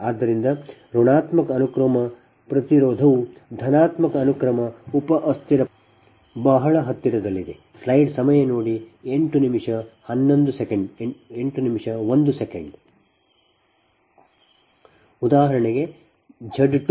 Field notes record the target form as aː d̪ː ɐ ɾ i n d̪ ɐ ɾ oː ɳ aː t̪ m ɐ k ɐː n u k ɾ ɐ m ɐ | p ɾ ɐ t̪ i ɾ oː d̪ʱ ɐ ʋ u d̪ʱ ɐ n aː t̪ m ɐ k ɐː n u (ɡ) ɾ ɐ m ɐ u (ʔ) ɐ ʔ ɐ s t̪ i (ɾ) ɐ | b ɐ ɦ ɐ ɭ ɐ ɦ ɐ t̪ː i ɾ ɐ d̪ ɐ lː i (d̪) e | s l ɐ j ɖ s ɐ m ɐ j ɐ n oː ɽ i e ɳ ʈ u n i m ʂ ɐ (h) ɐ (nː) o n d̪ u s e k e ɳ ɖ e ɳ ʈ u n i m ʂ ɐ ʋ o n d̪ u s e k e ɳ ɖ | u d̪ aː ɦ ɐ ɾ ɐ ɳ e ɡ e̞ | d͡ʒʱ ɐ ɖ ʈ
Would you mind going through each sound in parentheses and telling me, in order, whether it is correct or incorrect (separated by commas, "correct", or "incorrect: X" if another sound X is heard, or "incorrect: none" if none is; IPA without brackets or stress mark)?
incorrect: k, incorrect: p, correct, correct, correct, correct